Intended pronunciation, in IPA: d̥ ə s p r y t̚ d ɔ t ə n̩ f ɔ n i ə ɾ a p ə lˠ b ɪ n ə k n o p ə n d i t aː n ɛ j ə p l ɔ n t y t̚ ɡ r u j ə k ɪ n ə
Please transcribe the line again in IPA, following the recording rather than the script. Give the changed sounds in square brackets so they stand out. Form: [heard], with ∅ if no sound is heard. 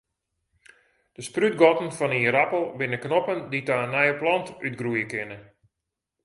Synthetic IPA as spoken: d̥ ə s p r y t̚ [ɡ] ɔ t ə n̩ f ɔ n i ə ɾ a p ə lˠ b ɪ n ə k n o p ə n d i t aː n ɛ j ə p l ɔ n t y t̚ ɡ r u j ə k ɪ n ə